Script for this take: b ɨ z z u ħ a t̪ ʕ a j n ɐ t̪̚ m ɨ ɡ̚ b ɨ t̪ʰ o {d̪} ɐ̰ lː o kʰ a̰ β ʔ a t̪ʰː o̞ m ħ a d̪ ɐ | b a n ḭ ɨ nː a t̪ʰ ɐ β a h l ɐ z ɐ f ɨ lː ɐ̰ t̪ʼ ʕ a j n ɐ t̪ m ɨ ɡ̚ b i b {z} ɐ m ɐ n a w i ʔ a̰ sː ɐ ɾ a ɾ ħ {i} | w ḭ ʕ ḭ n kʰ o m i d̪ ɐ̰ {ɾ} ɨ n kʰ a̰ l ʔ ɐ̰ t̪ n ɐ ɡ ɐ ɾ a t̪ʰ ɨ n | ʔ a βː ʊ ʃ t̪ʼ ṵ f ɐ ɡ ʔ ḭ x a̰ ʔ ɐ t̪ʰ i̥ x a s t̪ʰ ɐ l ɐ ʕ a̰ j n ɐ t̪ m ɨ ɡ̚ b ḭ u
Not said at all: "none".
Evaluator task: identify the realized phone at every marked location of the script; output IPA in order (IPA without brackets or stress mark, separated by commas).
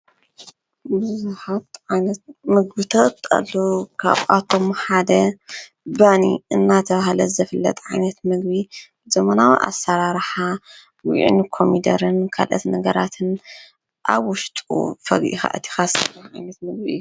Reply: t̪, z, a, ɾ